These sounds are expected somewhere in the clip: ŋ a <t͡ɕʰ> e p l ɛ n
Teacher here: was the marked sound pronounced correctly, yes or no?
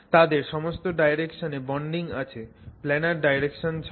yes